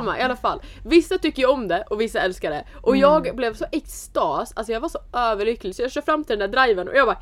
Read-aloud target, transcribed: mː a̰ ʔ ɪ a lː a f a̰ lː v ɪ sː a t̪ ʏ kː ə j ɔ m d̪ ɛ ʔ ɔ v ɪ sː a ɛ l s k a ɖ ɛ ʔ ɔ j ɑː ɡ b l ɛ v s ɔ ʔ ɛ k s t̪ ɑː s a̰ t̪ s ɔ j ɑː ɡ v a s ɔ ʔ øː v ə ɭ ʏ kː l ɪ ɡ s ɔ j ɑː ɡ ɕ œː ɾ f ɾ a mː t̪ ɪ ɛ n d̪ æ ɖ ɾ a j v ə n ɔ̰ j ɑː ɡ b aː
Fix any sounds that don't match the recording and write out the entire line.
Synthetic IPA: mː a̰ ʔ ɪ a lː a f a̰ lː v ɪ sː a t̪ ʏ kː ə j ɔ m d̪ ɛ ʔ ɔ v ɪ sː a ɛ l s k a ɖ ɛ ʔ ɔ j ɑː ɡ b l ɛ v s ɔ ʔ ɛ k s t̪ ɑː s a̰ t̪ s ɔ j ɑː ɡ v a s ɔ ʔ øː v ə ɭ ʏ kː l ɪ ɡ s ɔ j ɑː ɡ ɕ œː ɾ f ɾ a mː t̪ ɪ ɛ n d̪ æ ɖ ɾ a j v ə n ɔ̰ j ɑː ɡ b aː